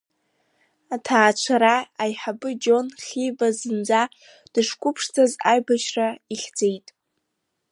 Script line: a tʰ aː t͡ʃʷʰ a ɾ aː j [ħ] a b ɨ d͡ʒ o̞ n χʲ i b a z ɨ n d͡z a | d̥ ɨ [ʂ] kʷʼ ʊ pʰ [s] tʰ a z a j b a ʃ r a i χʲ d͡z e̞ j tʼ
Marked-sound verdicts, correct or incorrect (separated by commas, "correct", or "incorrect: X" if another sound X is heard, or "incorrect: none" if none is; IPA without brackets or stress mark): correct, correct, incorrect: ʂ